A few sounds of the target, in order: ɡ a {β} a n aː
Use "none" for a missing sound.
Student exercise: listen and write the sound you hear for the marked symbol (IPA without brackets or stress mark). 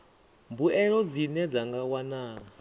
w